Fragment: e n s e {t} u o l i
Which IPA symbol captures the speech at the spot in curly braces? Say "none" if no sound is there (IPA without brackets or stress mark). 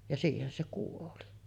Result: k